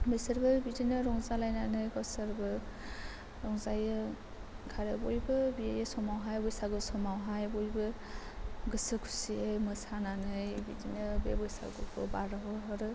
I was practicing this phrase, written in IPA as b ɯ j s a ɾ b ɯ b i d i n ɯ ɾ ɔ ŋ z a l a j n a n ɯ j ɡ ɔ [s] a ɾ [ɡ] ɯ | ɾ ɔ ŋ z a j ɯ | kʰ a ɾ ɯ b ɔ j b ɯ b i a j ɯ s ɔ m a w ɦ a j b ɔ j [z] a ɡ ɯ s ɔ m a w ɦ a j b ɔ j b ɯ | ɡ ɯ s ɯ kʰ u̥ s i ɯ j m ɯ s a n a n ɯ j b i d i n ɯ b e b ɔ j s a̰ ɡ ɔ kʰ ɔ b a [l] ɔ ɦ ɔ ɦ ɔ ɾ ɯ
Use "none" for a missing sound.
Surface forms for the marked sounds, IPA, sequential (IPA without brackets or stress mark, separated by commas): s, b, s, ɾ